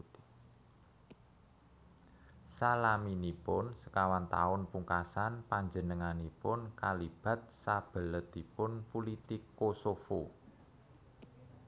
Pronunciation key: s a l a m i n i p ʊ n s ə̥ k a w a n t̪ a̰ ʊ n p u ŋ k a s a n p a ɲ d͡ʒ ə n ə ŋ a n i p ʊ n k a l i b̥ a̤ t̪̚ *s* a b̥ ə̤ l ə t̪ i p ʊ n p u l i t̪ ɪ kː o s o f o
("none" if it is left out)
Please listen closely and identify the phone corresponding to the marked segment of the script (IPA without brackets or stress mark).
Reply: s